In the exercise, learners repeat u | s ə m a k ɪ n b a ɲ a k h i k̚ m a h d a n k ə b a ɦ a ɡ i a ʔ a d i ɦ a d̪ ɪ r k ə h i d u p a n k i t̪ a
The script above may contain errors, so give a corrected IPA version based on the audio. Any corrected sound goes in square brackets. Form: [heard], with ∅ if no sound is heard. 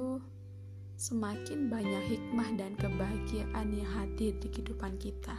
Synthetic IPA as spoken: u | s ə m a k ɪ n b a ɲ a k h i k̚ m a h d a n k ə b a ɦ a ɡ i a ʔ a [n] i ɦ a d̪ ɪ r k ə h i d u p a n k i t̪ a